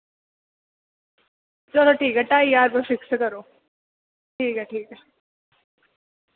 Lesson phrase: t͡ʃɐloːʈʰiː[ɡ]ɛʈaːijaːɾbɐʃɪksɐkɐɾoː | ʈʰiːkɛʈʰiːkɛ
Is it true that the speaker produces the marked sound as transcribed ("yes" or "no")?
no